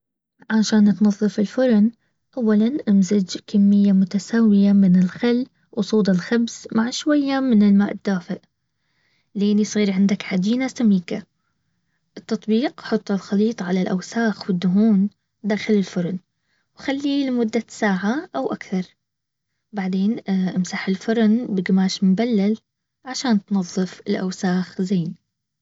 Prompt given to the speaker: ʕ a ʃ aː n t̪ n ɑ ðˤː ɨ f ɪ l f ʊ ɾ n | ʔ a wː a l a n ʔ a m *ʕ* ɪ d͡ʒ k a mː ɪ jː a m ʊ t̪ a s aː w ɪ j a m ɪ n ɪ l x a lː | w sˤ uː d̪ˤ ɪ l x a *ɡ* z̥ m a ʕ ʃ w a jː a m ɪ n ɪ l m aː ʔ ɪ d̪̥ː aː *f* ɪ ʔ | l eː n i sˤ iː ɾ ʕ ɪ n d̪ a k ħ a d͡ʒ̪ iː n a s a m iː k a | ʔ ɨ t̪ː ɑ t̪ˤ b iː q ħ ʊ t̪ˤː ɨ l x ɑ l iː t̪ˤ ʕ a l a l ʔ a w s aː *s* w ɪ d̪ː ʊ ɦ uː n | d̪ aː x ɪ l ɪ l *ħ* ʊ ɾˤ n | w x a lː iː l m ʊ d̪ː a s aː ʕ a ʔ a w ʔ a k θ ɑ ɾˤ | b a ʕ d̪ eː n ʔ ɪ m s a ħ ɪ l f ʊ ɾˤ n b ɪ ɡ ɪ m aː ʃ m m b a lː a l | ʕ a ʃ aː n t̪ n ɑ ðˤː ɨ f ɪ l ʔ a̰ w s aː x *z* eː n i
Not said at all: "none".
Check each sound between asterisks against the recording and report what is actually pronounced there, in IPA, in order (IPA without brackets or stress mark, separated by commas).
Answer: z, b, f, x, f, z